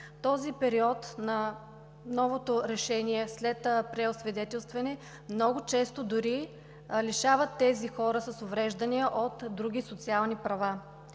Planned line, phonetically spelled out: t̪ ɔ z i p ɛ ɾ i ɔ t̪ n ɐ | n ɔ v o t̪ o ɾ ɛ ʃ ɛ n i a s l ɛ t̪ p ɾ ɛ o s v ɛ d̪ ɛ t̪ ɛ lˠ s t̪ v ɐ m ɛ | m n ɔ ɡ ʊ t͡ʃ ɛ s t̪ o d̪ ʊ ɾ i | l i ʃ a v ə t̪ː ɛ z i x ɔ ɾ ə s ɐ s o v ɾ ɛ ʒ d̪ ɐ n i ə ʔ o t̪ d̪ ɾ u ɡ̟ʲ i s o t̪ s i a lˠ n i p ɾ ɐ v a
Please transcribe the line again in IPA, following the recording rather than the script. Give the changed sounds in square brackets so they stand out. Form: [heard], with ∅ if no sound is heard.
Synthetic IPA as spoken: t̪ ɔ z i p ɛ ɾ i ɔ t̪ n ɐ | n ɔ v o t̪ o ɾ ɛ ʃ ɛ n i [ɛ] s l ɛ t̪ p ɾ ɛ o s v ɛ d̪ ɛ t̪ ɛ lˠ s t̪ v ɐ [n] ɛ | m n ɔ ɡ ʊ t͡ʃ ɛ s t̪ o d̪ ʊ ɾ i | l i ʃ a v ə t̪ː ɛ z i x ɔ ɾ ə s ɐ s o v ɾ ɛ ʒ d̪ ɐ n i ə ʔ o t̪ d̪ ɾ u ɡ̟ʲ i s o t̪ s i a lˠ n i p ɾ ɐ v a